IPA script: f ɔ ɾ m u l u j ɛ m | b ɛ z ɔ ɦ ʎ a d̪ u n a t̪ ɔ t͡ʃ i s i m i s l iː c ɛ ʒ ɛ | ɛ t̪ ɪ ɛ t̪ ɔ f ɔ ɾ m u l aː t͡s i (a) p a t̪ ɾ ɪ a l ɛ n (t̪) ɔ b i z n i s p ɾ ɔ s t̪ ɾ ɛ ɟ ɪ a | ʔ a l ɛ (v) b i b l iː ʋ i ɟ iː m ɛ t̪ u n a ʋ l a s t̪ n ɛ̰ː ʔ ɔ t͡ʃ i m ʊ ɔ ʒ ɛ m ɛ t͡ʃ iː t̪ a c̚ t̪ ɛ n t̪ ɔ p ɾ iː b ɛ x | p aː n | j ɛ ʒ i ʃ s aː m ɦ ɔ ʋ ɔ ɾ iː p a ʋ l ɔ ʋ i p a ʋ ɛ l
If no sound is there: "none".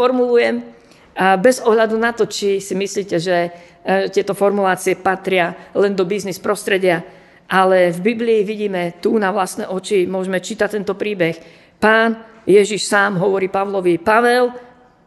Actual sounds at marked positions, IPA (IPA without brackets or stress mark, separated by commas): ɛ, d̪, v